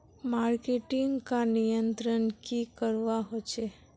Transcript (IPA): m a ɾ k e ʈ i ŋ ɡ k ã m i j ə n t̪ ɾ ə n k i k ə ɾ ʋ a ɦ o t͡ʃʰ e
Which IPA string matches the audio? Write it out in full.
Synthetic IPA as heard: m a ɾ k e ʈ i ŋ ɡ k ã n i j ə n t̪ ɾ ə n k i k ə ɾ ʋ a ɦ o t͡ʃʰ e